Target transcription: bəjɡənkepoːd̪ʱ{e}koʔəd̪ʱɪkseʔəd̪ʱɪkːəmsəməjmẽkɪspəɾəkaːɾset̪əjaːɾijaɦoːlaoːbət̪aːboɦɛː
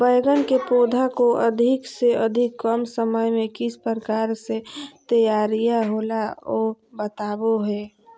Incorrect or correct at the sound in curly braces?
incorrect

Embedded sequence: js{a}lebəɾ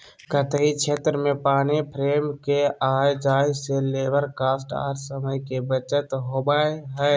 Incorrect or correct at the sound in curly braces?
incorrect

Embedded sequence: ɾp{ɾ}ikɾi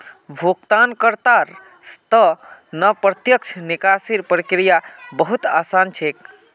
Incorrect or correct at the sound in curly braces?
correct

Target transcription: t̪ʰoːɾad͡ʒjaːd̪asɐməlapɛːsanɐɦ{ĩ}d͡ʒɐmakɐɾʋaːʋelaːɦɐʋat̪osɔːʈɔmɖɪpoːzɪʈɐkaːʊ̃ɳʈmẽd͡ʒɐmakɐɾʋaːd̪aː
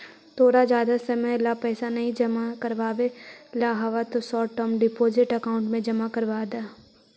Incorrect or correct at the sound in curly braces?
correct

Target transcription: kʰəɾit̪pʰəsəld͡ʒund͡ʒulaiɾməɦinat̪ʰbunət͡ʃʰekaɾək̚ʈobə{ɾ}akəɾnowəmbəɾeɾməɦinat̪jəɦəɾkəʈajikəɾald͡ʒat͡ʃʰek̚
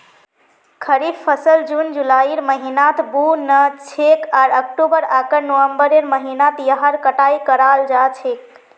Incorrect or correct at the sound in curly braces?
correct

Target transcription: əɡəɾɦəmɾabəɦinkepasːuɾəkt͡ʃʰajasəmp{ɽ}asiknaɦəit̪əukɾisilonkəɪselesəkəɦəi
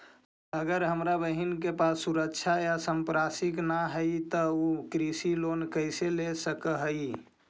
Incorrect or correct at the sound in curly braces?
incorrect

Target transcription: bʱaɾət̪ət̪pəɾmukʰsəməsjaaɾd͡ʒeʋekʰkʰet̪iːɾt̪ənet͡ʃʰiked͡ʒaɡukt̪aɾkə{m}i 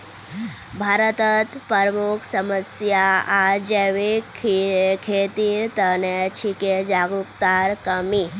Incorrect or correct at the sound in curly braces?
correct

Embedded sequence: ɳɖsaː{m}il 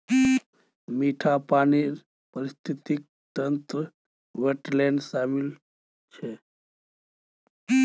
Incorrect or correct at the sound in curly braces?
correct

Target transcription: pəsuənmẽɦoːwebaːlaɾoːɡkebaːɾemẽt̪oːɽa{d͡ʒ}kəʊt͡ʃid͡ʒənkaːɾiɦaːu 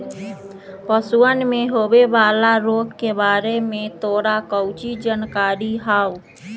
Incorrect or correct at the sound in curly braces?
incorrect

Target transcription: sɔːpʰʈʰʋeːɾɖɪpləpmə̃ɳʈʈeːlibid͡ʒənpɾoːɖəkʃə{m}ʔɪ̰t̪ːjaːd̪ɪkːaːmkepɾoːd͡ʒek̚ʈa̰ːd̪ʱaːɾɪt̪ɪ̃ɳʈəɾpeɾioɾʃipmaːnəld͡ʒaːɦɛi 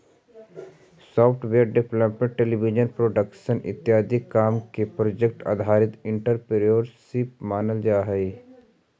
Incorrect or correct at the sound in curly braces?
incorrect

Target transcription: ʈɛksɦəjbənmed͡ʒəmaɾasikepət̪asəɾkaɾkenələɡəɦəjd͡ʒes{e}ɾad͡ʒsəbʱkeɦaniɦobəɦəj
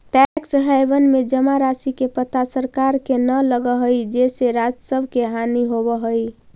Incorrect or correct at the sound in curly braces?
correct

